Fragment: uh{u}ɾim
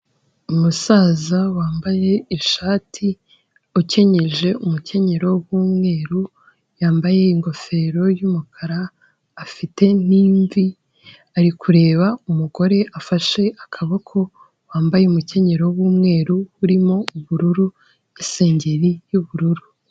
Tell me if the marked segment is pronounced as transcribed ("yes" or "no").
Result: yes